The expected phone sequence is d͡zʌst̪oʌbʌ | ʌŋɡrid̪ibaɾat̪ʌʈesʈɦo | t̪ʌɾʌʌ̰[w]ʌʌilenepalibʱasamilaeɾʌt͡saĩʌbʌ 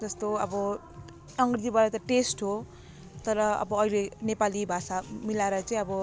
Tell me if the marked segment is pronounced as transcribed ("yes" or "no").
no